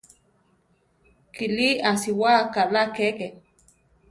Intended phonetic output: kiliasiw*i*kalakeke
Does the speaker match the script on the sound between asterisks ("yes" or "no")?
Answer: no